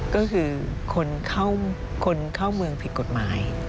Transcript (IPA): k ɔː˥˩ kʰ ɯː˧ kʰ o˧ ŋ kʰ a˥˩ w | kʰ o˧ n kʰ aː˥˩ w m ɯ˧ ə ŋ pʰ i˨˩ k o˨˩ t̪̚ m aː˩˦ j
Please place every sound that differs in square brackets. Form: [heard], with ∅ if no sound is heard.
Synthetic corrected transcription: k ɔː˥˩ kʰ ɯː˧ kʰ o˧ [n] kʰ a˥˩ w | kʰ o˧ n kʰ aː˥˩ w m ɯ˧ ə ŋ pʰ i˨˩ k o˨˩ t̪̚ m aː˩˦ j